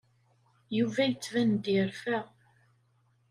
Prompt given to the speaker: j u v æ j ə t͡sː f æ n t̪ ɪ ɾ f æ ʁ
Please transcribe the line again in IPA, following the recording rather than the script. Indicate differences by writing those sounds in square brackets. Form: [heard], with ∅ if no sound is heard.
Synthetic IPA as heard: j u v æ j ə t͡sː [v] æ n [d̪] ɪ ɾ f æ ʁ